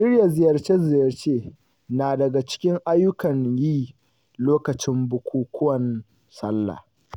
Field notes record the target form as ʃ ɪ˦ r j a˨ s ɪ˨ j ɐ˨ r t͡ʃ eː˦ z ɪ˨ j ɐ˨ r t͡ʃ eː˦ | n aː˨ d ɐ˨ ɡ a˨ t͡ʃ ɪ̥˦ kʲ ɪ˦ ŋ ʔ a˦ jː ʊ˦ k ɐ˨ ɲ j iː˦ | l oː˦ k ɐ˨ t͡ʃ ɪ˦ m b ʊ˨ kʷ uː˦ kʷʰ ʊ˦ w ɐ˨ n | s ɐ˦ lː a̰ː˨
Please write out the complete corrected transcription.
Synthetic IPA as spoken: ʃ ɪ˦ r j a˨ z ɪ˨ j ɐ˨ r t͡ʃ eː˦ z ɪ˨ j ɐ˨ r t͡ʃ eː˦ | n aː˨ d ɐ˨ ɡ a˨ t͡ʃ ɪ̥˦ kʲ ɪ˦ ŋ ʔ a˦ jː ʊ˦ k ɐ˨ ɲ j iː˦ | l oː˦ k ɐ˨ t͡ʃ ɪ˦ m b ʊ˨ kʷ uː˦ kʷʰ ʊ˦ w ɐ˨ n | s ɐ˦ lː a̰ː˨

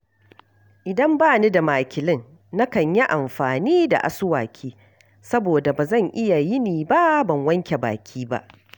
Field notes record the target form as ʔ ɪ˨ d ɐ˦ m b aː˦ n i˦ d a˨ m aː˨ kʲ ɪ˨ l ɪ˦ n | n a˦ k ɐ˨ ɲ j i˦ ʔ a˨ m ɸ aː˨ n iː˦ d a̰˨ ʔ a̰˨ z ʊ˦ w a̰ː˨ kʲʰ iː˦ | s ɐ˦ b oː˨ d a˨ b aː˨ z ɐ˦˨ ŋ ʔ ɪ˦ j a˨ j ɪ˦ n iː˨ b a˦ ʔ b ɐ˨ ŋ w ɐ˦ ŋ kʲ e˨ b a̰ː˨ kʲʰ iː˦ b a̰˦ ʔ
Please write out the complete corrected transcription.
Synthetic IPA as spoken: ʔ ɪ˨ d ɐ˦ m b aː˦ n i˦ d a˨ m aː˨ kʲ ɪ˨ l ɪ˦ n | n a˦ k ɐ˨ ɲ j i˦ ʔ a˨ m ɸ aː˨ n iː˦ d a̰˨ ʔ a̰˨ s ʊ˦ w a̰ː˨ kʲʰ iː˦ | s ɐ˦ b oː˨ d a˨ b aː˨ z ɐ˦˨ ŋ ʔ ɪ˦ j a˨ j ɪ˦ n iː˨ b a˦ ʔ b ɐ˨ ŋ w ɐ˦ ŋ kʲ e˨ b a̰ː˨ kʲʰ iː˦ b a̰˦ ʔ

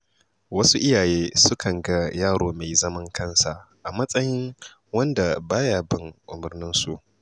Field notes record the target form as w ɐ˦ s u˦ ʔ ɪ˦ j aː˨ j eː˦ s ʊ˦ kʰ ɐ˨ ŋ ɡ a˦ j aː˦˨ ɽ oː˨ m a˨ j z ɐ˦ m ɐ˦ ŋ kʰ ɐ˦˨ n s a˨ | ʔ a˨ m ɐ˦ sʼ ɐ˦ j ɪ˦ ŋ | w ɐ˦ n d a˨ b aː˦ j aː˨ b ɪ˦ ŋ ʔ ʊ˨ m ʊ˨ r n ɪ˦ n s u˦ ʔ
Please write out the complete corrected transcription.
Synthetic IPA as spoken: w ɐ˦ s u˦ ʔ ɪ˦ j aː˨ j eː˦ s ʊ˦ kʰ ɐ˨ ŋ ɡ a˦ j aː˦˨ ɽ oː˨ m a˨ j z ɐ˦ m ɐ˦ ŋ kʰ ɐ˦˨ n s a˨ | ʔ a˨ m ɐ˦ sʼ ɐ˦ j ɪ˦ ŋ | w ɐ˦ n d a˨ b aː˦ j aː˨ b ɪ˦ ŋ ʔ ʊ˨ m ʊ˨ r n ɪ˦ n s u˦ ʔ

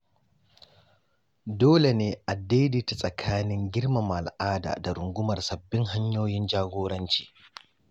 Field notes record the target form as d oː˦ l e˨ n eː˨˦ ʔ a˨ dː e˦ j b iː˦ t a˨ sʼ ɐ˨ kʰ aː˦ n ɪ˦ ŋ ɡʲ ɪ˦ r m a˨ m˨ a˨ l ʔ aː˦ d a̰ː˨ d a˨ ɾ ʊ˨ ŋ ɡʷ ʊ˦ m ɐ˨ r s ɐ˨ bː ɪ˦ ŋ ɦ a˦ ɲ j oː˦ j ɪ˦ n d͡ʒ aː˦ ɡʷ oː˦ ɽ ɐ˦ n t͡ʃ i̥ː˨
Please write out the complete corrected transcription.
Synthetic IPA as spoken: d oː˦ l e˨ n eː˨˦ ʔ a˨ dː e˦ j d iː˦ t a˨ sʼ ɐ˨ kʰ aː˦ n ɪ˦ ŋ ɡʲ ɪ˦ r m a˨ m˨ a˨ l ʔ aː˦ d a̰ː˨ d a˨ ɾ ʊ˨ ŋ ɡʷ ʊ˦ m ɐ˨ r s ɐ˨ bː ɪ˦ ŋ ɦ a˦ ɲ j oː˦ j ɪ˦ n d͡ʒ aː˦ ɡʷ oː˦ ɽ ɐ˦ n t͡ʃ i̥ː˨

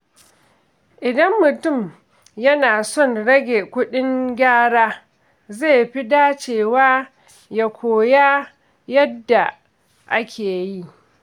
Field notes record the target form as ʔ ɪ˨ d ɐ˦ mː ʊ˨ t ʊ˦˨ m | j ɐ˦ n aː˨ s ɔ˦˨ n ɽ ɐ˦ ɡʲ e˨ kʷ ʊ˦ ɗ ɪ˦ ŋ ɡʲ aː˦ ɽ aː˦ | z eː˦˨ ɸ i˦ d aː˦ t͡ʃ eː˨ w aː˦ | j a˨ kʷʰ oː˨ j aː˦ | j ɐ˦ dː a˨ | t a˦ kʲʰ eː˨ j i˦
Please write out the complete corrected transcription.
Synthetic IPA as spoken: ʔ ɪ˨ d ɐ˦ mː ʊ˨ t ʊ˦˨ m | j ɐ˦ n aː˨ s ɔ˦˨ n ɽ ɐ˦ ɡʲ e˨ kʷ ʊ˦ ɗ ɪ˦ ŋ ɡʲ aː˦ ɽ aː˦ | z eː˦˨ ɸ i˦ d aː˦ t͡ʃ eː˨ w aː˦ | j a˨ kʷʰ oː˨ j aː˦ | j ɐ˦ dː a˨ | ʔ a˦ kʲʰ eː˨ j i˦

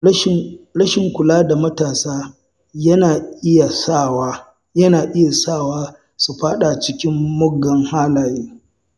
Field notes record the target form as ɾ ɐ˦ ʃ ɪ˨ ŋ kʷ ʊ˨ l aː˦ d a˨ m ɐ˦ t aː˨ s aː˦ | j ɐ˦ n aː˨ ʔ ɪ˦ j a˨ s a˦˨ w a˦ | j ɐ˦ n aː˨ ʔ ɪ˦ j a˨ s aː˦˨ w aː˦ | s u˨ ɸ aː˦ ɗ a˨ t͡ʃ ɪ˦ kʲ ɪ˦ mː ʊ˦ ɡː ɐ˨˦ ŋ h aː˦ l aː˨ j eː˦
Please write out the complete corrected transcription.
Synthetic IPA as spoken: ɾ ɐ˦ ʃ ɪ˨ ŋ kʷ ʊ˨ l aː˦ d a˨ m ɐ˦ t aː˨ s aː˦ | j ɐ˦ n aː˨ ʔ ɪ˦ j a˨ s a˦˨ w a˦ | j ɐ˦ n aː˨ ʔ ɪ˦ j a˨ s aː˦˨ w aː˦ | s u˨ ɸ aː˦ ɗ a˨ t͡ʃ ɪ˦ kʲ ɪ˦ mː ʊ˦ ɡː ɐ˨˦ ŋ h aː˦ l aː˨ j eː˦

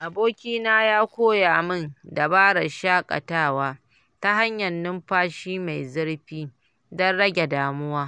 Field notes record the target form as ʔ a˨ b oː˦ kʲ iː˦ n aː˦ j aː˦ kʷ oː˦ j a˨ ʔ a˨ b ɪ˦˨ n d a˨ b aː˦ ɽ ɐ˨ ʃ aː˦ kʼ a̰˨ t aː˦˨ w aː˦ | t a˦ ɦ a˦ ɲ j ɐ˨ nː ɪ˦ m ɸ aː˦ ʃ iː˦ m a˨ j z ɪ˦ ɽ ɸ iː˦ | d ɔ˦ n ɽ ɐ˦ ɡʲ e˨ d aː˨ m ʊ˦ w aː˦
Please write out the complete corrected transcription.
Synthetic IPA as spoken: ʔ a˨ b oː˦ kʲ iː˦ n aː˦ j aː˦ kʷ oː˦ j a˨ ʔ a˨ m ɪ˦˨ n d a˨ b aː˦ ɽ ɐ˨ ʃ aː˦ kʼ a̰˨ t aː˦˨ w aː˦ | t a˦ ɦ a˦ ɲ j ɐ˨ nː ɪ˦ m ɸ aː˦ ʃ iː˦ m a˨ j z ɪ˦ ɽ ɸ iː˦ | d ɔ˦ n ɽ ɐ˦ ɡʲ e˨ d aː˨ m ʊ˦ w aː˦

